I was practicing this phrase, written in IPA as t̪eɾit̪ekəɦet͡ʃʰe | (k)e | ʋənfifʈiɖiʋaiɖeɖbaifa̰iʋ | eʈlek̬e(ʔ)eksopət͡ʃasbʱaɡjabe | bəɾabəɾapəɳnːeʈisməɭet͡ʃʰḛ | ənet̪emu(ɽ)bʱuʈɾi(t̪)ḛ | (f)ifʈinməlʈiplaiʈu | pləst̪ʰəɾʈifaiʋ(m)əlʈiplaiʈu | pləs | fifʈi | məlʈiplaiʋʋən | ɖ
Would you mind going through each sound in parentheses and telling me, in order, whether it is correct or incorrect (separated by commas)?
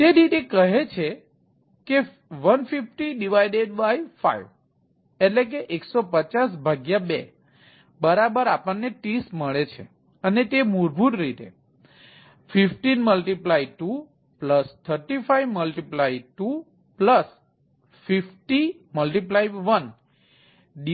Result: correct, correct, incorrect, correct, correct, correct